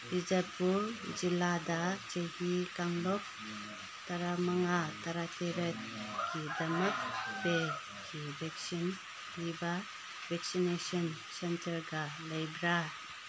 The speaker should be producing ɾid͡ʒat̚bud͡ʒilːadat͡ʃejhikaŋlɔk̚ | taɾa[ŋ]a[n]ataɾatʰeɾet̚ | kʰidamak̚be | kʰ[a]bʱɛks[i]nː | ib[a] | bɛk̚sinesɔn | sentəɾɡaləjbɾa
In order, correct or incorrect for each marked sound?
incorrect, incorrect, incorrect, correct, correct

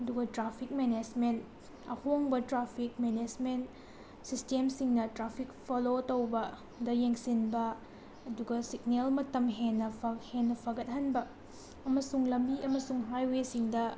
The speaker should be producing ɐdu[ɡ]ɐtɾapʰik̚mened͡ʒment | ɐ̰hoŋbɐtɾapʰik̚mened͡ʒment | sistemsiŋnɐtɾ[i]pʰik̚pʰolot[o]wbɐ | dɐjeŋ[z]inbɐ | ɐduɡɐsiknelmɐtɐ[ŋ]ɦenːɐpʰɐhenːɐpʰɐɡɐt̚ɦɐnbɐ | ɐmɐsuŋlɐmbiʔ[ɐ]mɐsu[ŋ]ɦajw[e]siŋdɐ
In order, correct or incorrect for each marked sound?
correct, incorrect, correct, incorrect, incorrect, correct, correct, correct

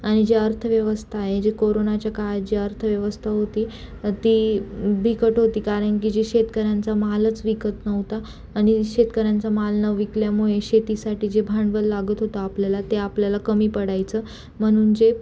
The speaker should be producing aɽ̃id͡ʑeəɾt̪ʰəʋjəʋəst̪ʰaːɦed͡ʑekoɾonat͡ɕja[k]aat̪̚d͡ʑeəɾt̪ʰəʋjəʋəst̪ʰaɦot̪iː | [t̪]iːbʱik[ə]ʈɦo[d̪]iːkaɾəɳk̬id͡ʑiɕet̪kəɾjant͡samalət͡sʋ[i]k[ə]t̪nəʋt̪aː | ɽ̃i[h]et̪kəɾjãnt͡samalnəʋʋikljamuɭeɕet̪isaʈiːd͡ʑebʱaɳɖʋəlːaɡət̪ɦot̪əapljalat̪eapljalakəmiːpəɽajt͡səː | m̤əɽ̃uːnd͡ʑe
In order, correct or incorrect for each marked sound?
correct, correct, correct, incorrect, correct, correct, incorrect

